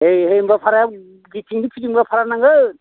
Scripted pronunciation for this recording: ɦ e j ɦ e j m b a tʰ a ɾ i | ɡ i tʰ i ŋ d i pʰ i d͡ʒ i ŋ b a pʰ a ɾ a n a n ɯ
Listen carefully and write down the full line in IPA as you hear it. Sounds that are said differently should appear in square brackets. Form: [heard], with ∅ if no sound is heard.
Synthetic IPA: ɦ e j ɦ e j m b a [pʰ] a ɾ [a] | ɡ i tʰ i ŋ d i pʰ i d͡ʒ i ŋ b a pʰ a ɾ a n a [ŋ] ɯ